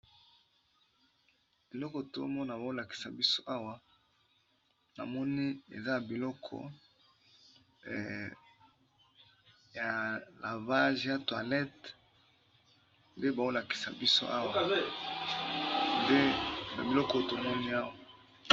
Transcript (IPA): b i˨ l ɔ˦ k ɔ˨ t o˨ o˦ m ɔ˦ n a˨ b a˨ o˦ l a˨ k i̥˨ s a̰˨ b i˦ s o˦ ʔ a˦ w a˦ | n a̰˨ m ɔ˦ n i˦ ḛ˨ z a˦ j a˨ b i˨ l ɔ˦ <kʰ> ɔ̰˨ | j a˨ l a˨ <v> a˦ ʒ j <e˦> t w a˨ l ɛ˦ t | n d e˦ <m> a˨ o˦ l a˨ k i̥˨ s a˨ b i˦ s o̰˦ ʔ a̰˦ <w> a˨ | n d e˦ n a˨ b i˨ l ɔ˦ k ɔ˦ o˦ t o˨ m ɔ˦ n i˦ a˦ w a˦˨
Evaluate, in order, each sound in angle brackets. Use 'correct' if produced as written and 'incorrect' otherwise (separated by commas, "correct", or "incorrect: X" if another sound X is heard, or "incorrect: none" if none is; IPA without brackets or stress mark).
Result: correct, correct, incorrect: a˦, incorrect: b, correct